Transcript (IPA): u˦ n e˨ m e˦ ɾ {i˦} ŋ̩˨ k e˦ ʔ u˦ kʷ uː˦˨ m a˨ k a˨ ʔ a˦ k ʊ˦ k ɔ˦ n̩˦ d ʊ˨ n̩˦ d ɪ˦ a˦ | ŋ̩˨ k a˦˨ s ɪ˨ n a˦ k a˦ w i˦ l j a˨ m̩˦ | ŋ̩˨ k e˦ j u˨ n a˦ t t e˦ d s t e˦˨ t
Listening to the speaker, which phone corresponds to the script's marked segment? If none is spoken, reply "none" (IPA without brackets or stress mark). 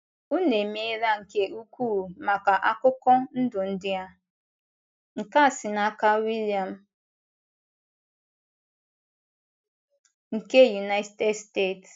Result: a˦